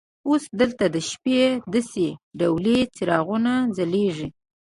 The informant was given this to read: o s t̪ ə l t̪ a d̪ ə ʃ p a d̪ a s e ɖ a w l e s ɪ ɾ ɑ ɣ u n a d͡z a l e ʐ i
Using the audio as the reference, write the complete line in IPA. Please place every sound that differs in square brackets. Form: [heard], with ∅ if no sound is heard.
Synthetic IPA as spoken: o s [d̪] ə l t̪ a d̪ ə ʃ p [e] d̪ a s e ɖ a w l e [t͡s] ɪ ɾ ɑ ɣ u n a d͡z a l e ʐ i